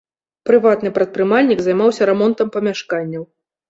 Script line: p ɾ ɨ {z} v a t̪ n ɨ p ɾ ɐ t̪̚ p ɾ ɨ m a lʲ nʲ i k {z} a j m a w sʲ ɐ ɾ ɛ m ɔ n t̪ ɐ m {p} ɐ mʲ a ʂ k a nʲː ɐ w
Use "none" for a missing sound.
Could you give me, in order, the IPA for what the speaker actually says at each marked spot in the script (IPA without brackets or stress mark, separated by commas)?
none, z, p